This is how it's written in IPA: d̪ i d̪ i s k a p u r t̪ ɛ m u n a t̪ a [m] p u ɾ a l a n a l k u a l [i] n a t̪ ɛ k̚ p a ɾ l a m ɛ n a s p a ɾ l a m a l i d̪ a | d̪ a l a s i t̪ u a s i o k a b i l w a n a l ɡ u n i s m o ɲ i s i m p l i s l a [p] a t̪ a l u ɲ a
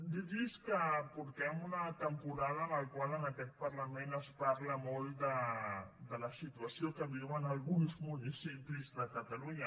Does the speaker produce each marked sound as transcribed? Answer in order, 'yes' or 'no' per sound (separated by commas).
yes, no, no